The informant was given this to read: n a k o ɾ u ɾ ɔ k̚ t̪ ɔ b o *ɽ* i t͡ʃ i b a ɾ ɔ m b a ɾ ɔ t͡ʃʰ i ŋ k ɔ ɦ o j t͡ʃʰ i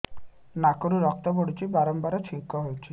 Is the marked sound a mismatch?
no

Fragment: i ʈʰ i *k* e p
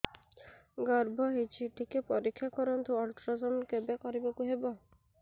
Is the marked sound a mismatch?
no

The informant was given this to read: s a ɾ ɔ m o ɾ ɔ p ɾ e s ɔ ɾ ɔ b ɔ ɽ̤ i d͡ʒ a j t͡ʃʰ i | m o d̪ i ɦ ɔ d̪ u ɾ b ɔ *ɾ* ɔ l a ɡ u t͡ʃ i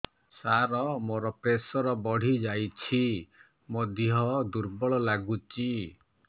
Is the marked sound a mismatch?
yes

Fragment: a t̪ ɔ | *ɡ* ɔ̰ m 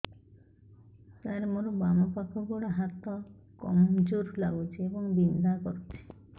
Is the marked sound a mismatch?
yes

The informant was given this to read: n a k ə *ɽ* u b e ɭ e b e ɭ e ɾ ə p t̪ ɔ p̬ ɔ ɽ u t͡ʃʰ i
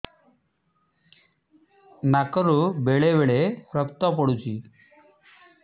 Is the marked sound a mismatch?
yes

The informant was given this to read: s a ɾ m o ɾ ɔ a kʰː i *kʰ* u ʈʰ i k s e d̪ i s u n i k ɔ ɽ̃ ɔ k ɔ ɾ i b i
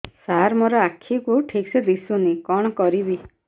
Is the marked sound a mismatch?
yes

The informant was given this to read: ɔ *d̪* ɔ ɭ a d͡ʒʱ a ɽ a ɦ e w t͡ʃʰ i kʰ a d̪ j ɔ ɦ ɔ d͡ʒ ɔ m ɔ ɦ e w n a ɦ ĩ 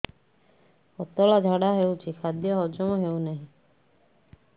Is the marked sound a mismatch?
yes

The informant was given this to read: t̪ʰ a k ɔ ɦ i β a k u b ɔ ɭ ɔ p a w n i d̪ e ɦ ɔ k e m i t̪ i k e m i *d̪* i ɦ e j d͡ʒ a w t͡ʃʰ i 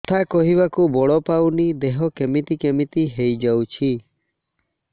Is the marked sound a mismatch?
yes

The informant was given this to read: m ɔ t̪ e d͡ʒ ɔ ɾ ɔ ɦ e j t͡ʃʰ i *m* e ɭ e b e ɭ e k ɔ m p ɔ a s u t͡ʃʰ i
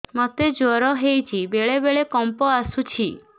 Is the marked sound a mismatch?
yes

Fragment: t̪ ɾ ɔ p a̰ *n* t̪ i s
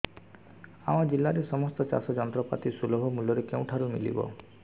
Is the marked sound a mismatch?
yes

